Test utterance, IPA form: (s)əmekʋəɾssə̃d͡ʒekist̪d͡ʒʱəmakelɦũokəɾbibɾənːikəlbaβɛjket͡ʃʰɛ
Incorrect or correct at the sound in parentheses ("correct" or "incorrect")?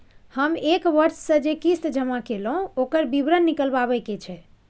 incorrect